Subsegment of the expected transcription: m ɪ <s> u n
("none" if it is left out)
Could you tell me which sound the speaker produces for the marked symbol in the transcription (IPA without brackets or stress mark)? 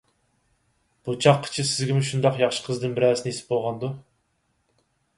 ʃ